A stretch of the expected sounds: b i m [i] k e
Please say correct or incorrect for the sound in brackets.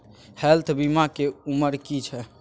incorrect